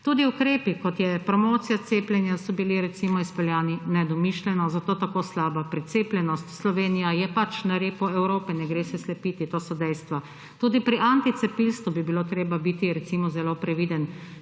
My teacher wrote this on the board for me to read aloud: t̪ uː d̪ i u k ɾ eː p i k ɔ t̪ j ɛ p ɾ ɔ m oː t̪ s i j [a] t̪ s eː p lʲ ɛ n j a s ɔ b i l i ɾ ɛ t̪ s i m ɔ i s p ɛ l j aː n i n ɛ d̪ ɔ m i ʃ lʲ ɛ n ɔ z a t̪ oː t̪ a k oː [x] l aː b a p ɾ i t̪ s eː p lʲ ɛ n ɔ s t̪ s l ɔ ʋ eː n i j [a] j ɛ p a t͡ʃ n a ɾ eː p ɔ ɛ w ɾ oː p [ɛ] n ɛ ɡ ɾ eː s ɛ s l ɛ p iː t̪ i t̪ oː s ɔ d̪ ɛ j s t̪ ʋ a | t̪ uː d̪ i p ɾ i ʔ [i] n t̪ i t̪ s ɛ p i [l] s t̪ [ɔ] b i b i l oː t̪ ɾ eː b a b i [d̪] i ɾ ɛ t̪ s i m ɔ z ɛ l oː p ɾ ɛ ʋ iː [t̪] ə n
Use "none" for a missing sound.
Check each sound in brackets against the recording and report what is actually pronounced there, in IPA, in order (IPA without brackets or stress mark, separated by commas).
a, s, a, ɛ, a, l, u, t̪, d̪